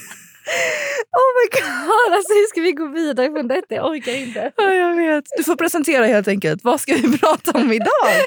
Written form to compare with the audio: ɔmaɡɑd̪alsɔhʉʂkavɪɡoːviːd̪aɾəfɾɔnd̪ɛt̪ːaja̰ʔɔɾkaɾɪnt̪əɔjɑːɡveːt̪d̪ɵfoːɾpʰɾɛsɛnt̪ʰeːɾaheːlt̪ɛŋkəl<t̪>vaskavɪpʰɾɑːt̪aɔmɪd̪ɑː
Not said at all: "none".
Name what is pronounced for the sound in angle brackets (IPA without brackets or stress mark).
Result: t̪